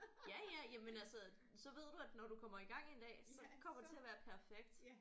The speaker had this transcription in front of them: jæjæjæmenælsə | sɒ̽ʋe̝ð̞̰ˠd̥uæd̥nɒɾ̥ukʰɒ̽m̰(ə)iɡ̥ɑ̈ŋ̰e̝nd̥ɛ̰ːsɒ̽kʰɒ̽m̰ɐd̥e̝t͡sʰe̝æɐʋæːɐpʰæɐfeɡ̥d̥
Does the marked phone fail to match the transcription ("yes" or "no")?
yes